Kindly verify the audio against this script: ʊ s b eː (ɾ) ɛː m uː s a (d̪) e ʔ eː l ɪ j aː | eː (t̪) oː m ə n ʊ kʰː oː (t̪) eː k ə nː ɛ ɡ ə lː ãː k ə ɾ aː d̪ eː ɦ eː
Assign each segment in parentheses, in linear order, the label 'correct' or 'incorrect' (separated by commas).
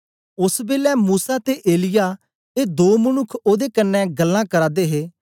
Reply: incorrect, incorrect, incorrect, incorrect